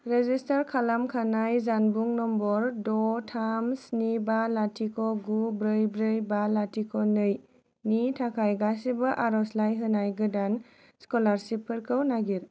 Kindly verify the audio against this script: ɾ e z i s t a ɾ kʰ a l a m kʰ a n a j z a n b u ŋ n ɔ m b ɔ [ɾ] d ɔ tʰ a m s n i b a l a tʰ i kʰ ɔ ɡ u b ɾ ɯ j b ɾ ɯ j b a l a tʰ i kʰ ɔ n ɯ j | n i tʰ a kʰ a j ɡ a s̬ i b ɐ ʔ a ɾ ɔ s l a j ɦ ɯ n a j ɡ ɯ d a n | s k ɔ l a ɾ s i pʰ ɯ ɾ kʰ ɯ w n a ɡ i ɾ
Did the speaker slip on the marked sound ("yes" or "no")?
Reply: no